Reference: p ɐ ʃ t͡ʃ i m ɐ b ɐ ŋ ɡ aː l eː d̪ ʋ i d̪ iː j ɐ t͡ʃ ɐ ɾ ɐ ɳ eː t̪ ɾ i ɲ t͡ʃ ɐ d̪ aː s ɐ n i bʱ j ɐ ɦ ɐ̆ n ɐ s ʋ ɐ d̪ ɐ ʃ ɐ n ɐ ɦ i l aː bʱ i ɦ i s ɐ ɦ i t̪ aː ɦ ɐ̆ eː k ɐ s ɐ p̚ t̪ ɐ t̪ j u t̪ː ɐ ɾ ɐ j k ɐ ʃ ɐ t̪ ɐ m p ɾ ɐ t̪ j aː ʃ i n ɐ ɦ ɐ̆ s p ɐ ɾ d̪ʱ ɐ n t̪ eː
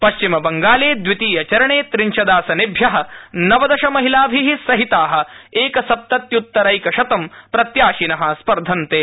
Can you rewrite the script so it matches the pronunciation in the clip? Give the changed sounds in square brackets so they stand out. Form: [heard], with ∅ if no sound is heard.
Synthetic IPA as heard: p ɐ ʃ t͡ʃ i m ɐ b ɐ ŋ ɡ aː l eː d̪ ʋ i [t̪] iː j ɐ t͡ʃ ɐ ɾ ɐ ɳ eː t̪ ɾ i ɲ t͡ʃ ɐ d̪ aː s ɐ n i bʱ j ɐ ɦ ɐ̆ n ɐ [∅] ʋ ɐ d̪ ɐ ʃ ɐ [m] ɐ ɦ i l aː bʱ i ɦ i s ɐ ɦ i t̪ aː ɦ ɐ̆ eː k ɐ s ɐ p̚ t̪ ɐ t̪ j u t̪ː ɐ ɾ ɐ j k ɐ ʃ ɐ t̪ ɐ m p ɾ ɐ t̪ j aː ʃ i n ɐ ɦ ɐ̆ s p ɐ ɾ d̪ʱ ɐ n t̪ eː